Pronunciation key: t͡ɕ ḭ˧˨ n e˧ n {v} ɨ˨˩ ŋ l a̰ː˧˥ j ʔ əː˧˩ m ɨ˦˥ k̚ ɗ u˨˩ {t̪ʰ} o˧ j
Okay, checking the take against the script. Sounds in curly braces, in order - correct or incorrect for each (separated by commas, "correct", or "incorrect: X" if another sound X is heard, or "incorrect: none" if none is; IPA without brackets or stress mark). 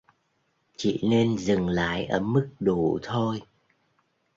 incorrect: z, correct